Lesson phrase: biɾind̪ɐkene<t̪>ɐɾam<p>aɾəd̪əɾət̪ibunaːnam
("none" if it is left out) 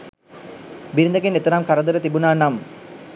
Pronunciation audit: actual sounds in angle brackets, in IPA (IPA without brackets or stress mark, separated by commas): t̪, k